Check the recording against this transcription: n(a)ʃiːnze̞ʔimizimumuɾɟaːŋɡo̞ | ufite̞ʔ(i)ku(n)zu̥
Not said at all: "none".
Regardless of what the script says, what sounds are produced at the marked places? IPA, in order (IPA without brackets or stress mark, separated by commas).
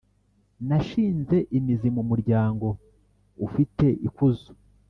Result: a, i, none